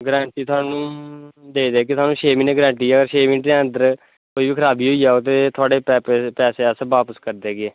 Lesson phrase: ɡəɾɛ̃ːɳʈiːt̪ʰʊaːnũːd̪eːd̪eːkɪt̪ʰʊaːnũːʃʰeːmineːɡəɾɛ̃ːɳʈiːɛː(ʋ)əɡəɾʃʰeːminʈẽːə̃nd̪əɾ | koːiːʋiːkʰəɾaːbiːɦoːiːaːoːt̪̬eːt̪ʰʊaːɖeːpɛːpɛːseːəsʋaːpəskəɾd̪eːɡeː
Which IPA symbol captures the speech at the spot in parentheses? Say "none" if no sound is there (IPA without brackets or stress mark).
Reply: none